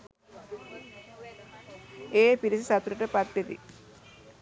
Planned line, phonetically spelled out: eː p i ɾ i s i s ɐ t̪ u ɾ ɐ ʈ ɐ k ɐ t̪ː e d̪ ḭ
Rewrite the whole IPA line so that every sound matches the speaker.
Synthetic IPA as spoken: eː p i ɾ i s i s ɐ t̪ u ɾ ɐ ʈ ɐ p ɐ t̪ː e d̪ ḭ